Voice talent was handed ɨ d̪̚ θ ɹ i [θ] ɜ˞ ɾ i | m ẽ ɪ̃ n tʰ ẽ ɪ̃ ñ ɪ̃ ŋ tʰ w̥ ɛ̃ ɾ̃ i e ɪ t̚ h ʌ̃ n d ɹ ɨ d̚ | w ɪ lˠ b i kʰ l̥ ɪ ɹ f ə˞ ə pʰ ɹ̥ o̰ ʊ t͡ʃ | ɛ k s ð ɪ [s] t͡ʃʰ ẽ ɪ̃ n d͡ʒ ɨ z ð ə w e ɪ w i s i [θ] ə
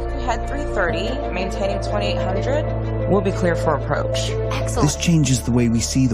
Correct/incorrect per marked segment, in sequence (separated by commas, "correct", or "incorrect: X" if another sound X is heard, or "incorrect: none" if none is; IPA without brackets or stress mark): correct, correct, incorrect: ð